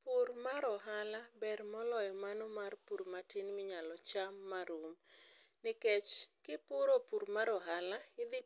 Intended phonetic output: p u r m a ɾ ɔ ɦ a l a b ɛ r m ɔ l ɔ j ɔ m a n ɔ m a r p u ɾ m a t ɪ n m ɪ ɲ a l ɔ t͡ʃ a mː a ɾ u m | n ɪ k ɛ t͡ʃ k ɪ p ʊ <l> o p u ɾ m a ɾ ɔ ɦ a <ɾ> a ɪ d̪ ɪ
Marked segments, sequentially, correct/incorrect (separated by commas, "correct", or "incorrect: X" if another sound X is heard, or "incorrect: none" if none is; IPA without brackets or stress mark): incorrect: ɾ, incorrect: l